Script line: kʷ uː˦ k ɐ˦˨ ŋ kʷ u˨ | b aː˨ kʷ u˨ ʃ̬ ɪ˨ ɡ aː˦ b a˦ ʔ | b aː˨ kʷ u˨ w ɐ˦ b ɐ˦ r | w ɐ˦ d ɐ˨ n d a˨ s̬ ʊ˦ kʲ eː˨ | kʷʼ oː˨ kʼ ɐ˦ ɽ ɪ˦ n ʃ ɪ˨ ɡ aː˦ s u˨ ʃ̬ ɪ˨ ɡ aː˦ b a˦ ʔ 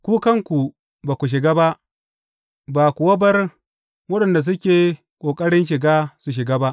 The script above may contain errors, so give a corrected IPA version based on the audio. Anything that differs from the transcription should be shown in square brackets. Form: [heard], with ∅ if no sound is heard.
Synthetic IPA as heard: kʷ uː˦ k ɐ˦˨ ŋ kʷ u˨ | b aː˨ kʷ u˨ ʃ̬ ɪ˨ ɡ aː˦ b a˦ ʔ | b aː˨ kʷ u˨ w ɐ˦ b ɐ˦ r | w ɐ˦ [ɗ] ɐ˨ n d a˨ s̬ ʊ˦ kʲ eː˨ | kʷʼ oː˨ kʼ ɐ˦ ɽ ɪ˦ n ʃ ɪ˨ ɡ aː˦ s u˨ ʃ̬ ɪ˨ ɡ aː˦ b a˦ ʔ

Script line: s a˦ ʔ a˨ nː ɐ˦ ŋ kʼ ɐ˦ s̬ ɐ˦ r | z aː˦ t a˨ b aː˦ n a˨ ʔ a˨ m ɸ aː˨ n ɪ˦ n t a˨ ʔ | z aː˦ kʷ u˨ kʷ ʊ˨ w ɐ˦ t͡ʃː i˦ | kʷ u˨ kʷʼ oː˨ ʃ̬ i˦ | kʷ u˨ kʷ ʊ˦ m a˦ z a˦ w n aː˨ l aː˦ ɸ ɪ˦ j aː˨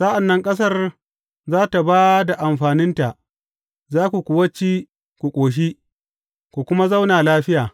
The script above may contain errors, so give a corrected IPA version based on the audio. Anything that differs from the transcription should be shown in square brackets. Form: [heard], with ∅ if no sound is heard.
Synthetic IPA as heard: s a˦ ʔ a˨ nː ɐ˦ ŋ kʼ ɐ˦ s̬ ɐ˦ r | z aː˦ t a˨ b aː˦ [d] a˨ ʔ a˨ m ɸ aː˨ n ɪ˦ n t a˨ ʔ | z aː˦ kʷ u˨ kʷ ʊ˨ w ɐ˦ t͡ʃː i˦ | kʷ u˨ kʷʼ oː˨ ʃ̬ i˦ | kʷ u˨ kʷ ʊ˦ m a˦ z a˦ w n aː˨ l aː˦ ɸ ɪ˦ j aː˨

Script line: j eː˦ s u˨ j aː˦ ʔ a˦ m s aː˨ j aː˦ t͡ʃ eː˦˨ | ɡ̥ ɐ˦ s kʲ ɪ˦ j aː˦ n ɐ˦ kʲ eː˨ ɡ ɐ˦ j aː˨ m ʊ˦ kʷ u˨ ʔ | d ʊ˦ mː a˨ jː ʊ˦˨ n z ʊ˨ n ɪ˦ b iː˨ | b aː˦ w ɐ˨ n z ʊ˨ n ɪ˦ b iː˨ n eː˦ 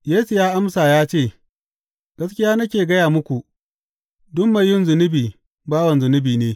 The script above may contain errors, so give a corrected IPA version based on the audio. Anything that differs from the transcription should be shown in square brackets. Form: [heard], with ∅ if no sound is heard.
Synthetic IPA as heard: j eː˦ s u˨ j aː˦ ʔ a˦ m s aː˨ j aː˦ t͡ʃ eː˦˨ | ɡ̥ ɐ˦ s kʲ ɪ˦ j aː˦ n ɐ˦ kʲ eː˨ ɡ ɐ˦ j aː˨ m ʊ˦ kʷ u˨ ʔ | d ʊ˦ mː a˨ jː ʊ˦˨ n z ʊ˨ n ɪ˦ b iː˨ | b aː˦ w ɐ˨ n z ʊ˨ n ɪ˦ b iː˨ n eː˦

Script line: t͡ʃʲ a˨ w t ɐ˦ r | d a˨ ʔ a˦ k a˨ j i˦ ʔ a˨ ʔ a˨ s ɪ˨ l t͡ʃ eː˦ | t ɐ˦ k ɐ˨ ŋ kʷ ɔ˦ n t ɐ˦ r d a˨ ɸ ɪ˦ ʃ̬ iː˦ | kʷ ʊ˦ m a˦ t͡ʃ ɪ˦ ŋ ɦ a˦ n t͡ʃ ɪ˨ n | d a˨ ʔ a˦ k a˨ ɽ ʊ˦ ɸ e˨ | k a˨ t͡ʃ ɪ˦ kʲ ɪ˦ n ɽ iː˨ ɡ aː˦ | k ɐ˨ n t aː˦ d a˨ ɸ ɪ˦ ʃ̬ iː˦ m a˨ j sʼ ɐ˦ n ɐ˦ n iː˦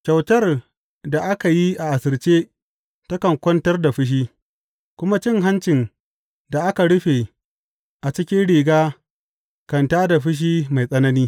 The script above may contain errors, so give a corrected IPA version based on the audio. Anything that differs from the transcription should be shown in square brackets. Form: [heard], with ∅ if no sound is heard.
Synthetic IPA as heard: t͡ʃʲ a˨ w t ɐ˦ r | d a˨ ʔ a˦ k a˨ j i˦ ʔ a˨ ʔ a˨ s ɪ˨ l t͡ʃ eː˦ | t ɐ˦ k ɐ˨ ŋ kʷ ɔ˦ n t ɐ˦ r d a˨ ɸ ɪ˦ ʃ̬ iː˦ | kʷ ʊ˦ m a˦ t͡ʃ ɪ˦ ŋ ɦ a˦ n t͡ʃ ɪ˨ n | d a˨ ʔ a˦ k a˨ ɽ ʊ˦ ɸ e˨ | [ʔ] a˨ t͡ʃ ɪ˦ kʲ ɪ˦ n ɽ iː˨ ɡ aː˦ | k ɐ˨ n t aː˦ d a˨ ɸ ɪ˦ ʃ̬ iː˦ m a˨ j sʼ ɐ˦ n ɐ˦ n iː˦

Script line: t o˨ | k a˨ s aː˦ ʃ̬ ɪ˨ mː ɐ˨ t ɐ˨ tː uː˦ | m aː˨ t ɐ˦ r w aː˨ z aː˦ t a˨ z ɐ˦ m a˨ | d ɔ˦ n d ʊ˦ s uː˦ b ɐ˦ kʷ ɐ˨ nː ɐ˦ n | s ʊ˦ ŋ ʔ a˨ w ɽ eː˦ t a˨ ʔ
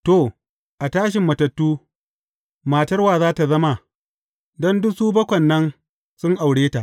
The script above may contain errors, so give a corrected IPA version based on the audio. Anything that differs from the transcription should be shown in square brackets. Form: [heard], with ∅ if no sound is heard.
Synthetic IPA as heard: t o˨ | [ʔ] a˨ [t] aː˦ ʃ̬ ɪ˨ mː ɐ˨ t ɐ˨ tː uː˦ | m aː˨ t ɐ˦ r w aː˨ z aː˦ t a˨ z ɐ˦ m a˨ | d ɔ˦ n d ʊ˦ s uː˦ b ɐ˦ kʷ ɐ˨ nː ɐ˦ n | s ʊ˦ ŋ ʔ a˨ w ɽ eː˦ t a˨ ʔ

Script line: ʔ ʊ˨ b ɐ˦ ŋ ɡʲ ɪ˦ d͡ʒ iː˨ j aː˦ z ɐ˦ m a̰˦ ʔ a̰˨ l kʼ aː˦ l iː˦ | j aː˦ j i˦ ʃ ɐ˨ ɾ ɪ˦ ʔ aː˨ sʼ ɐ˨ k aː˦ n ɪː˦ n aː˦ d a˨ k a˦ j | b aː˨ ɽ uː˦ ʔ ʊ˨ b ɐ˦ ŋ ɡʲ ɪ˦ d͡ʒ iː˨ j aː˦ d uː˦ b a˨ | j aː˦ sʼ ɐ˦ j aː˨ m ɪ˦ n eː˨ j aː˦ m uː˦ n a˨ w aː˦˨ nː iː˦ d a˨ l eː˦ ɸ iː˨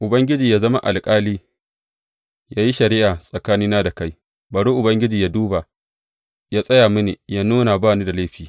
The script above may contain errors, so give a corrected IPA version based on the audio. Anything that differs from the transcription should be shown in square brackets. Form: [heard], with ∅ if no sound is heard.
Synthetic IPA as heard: ʔ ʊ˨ b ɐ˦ ŋ ɡʲ ɪ˦ d͡ʒ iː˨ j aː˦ z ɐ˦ m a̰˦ ʔ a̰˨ l kʼ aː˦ l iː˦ | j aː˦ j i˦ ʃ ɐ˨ ɾ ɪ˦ ʔ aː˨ sʼ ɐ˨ k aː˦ n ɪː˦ n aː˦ d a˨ k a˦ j | b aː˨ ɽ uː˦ ʔ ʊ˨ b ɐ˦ ŋ ɡʲ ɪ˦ d͡ʒ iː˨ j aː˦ d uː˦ b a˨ | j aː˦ sʼ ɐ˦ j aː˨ m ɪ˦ n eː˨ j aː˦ [n] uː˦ n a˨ [b] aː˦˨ [n] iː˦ d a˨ l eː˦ ɸ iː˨

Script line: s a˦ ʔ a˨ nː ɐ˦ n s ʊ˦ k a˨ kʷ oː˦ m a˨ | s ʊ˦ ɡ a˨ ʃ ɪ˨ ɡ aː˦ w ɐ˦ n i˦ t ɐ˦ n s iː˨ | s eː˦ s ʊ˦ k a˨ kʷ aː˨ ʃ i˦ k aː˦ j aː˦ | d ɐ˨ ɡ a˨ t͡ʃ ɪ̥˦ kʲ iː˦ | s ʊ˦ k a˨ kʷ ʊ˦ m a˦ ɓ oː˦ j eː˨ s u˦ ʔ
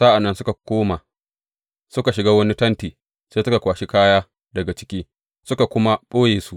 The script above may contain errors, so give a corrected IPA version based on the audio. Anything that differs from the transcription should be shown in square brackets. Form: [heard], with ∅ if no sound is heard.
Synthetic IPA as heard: s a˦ ʔ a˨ nː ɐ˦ n s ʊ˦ k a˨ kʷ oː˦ m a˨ | s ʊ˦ [k] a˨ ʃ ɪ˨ ɡ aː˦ w ɐ˦ n i˦ t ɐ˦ n [t] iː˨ | s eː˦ s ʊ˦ k a˨ kʷ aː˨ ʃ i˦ k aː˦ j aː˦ | d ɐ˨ ɡ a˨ t͡ʃ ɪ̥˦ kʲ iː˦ | s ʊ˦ k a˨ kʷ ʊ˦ m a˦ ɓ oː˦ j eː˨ s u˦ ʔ

